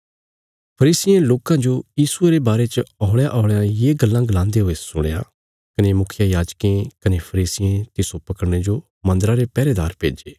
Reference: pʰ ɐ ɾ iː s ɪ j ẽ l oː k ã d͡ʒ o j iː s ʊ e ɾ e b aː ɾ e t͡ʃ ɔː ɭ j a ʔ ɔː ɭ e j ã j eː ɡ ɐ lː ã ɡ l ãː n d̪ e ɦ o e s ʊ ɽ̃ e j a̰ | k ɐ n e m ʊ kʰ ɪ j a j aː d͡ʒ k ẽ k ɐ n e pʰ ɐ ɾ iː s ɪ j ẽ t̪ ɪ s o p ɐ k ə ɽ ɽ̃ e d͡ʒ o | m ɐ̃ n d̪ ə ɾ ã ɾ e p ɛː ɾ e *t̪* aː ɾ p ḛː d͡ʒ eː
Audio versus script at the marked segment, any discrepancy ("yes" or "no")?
yes